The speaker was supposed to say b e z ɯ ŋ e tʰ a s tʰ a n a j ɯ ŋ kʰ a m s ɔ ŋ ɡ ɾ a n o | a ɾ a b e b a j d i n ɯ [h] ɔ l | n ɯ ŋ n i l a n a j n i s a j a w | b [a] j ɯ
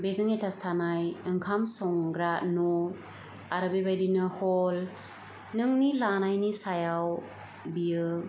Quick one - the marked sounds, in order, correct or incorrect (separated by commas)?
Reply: correct, incorrect